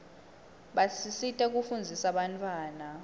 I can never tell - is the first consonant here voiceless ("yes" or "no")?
no